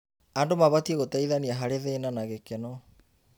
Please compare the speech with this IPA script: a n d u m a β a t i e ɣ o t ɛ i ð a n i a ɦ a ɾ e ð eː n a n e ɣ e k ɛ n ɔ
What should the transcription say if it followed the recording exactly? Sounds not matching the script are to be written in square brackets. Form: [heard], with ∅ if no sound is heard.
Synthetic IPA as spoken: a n d [o] m a β a t i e ɣ o t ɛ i ð a n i a ɦ a ɾ e ð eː n a n [a] ɣ e k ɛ n ɔ